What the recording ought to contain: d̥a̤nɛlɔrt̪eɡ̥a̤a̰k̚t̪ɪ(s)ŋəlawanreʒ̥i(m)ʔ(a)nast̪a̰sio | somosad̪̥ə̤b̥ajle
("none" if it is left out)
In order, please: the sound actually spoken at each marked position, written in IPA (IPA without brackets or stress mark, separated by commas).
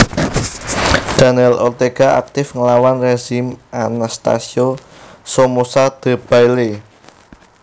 f, m, a